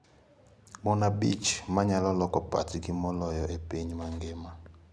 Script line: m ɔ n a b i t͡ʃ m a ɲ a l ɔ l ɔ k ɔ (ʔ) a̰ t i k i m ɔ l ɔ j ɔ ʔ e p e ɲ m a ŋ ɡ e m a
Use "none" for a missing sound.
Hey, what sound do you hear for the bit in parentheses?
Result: p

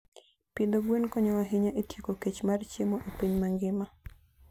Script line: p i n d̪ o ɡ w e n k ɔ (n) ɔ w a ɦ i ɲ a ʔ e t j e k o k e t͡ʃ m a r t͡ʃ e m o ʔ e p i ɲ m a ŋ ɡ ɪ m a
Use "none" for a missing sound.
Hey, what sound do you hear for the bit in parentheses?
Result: ɲ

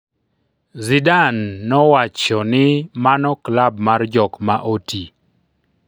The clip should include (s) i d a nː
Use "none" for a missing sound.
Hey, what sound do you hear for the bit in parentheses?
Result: z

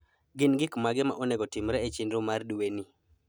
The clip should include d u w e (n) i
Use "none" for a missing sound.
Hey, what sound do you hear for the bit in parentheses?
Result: n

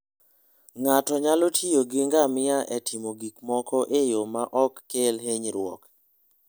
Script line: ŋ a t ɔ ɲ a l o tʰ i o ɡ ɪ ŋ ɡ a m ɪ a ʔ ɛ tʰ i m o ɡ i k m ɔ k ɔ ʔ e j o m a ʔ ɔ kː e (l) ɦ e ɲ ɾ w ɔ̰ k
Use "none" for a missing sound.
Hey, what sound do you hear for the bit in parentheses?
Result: l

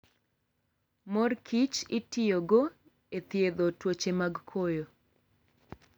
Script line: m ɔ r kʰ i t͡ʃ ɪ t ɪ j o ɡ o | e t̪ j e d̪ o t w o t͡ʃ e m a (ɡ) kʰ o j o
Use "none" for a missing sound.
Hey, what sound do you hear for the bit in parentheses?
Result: ɡ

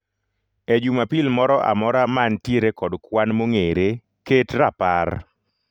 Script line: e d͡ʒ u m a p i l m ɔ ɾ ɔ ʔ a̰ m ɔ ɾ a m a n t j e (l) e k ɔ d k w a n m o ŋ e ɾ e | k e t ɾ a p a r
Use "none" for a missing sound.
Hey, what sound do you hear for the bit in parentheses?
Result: ɾ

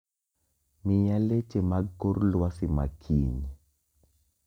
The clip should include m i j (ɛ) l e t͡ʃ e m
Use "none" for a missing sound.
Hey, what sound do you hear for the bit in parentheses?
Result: a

